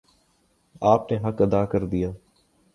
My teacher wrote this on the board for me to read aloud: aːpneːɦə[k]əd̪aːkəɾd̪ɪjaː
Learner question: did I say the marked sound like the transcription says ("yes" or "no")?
yes